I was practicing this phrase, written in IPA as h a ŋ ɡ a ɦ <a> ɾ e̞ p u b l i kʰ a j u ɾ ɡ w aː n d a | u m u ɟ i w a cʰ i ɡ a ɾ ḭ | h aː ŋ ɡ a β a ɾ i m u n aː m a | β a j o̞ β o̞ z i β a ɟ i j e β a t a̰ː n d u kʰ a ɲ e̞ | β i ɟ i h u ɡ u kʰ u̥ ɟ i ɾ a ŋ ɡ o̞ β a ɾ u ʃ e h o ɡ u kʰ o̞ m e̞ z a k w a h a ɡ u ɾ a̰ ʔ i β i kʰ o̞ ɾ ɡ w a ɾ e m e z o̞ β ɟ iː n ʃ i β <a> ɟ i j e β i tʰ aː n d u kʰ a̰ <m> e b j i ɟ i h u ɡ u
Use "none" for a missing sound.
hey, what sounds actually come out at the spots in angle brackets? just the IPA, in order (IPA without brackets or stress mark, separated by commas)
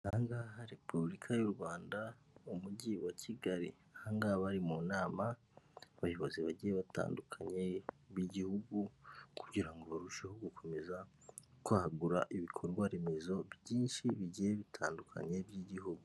a, i, ɲ